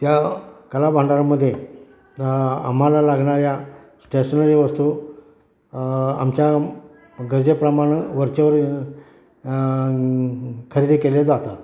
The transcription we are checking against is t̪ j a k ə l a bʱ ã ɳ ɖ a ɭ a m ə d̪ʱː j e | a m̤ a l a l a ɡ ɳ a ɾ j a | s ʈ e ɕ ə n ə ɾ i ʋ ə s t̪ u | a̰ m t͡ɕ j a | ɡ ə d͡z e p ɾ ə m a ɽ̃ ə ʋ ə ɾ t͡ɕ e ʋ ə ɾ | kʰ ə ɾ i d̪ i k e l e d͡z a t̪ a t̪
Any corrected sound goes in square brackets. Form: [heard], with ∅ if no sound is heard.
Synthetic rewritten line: t̪ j a k ə l a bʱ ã ɳ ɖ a [ɾ] a m ə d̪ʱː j e | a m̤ a l a l a ɡ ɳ a ɾ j a | s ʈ e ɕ ə n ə ɾ i ʋ ə s t̪ u | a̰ m t͡ɕ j a | ɡ ə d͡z e p ɾ ə m a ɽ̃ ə ʋ ə ɾ t͡ɕ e ʋ ə ɾ | kʰ ə ɾ i d̪ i k e l e d͡z a t̪ a t̪